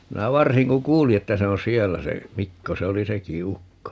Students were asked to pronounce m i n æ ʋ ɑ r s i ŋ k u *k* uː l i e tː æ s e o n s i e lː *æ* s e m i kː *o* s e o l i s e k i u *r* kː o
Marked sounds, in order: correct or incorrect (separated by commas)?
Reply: correct, correct, correct, incorrect